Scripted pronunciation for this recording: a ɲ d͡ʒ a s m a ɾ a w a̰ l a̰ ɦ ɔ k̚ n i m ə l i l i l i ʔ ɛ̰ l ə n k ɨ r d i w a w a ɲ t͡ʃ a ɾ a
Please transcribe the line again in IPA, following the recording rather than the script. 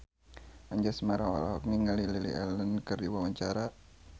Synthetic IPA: a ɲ d͡ʒ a s m a ɾ a w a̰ l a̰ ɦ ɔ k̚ n i ŋ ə l i l i l i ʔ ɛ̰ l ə n k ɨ r d i w a w a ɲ t͡ʃ a ɾ a